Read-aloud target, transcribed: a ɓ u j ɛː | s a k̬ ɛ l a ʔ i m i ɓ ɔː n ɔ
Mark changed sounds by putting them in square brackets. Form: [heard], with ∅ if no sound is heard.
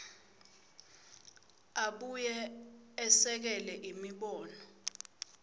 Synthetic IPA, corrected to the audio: a ɓ u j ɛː | s [ɛ] k̬ ɛ l [ɛ] ʔ i m i ɓ ɔː n ɔ